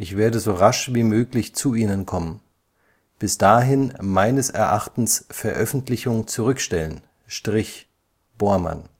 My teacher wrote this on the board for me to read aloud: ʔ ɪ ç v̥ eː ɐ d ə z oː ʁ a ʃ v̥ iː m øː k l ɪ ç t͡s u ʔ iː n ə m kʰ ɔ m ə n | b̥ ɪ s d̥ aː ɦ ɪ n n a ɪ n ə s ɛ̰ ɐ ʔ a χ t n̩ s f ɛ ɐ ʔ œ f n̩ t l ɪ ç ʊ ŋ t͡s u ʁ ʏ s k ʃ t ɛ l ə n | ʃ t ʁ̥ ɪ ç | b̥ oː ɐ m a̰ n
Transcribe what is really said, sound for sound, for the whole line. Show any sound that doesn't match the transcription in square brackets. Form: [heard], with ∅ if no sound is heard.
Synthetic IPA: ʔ ɪ ç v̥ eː ɐ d ə z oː ʁ a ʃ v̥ iː m øː k l ɪ ç t͡s u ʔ iː n ə [n] kʰ ɔ m ə n | b̥ ɪ s d̥ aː ɦ ɪ n [m] a ɪ n ə s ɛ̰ ɐ ʔ a χ t n̩ s f ɛ ɐ ʔ œ f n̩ t l ɪ ç ʊ ŋ t͡s u ʁ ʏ [∅] k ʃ t ɛ l ə n | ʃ t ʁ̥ ɪ ç | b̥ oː ɐ m a̰ n

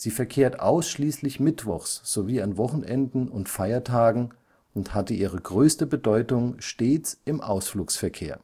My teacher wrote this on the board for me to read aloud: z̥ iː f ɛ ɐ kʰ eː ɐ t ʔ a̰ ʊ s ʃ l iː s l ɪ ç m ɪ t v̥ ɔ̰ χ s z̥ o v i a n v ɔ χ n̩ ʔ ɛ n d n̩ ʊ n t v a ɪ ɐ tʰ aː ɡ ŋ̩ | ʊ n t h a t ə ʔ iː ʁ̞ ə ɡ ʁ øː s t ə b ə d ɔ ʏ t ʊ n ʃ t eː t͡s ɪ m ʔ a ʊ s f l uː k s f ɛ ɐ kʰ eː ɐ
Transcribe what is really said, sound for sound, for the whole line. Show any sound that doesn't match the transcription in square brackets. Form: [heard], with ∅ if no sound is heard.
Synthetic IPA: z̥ iː f ɛ ɐ kʰ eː ɐ t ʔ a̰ ʊ s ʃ l iː s l ɪ ç m ɪ t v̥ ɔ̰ χ s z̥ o v [iː] a n v ɔ χ n̩ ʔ ɛ n d n̩ ʊ n t [f] a ɪ ɐ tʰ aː ɡ ŋ̩ | ʊ n t h a t ə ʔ iː ʁ̞ ə ɡ ʁ øː s t ə b ə d ɔ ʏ t ʊ [ŋ] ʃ t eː t͡s ɪ m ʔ a ʊ s f l uː k s f ɛ ɐ kʰ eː ɐ

